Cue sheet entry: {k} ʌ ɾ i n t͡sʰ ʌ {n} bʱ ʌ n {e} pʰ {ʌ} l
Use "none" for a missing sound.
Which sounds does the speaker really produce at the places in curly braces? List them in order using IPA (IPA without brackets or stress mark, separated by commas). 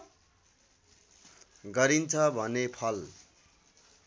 ɡ, none, e, ʌ